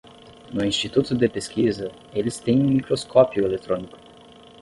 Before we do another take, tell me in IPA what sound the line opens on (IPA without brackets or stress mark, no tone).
n